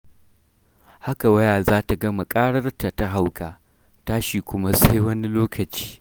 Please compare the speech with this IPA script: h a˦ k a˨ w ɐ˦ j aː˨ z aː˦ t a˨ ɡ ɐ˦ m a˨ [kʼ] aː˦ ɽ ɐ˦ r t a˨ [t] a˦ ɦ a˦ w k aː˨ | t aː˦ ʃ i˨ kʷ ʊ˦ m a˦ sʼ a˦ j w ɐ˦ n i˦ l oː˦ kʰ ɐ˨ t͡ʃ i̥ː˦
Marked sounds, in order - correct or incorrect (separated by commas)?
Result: correct, correct